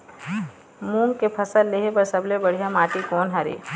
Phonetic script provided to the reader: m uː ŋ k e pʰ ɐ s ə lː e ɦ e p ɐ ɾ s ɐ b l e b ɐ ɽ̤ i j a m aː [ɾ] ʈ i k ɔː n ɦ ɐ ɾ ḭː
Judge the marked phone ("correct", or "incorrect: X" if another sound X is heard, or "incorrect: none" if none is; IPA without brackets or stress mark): incorrect: none